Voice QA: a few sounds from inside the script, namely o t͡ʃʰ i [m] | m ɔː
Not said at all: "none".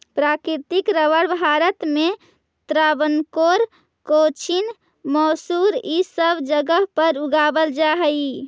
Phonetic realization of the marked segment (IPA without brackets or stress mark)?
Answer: n